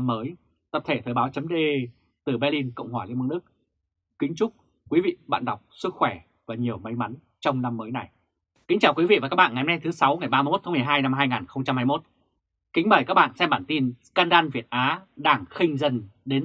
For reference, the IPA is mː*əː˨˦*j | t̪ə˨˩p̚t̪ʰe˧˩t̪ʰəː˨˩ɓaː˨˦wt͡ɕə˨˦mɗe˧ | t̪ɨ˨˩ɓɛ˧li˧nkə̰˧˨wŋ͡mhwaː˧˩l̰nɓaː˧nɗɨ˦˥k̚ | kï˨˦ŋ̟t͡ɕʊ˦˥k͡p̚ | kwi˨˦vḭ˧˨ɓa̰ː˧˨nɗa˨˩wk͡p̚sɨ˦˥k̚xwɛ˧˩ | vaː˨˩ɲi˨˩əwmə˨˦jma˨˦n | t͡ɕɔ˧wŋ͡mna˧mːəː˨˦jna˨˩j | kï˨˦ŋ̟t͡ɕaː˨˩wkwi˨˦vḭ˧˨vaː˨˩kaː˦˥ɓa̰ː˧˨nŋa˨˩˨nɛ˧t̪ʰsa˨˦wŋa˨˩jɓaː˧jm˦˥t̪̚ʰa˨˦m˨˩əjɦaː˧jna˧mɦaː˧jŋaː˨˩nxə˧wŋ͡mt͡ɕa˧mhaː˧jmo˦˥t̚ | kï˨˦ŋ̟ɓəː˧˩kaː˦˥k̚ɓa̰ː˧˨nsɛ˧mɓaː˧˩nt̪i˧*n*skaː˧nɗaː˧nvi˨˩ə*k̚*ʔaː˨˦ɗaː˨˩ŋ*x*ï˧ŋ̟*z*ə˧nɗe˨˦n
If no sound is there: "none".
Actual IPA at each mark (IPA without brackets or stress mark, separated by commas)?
əː˨˦, n, t̚, x, z